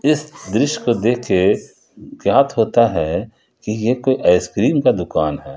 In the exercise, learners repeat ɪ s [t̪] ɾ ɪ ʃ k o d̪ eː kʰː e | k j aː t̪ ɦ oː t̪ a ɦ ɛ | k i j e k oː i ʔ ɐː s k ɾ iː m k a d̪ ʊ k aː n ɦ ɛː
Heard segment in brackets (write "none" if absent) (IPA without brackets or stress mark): d̪